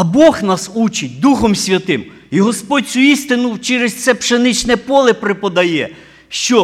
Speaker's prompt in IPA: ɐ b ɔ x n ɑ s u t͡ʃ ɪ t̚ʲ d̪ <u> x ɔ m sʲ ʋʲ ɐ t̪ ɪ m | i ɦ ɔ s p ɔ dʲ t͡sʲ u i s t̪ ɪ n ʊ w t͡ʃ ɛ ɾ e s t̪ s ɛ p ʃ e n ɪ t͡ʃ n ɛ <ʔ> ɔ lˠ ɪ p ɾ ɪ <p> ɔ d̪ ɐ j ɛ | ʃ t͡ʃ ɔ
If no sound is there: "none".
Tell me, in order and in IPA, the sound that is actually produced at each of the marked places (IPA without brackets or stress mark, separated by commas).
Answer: u, p, p